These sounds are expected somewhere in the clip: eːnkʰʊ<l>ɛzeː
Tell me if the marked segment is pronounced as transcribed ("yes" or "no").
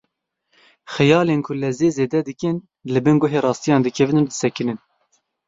yes